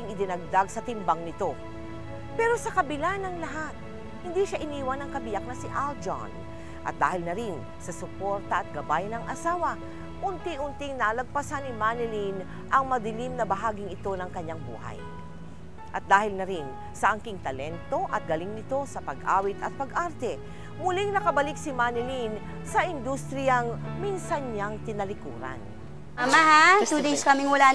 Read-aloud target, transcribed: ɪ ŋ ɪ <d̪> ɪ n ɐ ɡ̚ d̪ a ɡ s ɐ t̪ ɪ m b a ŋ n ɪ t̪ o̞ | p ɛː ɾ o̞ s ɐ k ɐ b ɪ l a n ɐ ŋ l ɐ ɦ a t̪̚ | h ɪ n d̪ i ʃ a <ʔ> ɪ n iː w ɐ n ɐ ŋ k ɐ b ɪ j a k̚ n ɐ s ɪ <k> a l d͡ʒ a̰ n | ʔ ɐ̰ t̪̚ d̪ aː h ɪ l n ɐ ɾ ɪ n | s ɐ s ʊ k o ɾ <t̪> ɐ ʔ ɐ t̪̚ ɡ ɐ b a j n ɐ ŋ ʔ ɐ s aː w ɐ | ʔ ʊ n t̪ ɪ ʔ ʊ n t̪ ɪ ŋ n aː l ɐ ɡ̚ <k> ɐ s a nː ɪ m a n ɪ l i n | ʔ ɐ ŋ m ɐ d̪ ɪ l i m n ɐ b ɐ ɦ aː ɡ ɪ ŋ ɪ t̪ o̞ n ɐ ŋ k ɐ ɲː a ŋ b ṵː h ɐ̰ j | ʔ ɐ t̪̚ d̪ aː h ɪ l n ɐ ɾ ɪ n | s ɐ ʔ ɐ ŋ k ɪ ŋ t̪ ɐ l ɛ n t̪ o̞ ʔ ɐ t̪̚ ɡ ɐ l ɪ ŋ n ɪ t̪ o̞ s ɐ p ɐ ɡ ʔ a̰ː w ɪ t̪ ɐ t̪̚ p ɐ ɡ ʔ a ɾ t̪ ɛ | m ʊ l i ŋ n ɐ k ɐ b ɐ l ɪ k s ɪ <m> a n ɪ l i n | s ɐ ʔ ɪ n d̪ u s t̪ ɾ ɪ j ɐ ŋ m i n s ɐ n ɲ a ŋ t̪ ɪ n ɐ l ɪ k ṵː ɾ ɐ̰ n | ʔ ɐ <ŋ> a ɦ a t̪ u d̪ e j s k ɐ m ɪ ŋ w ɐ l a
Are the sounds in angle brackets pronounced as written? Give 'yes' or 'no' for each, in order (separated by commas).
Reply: yes, yes, no, yes, no, yes, no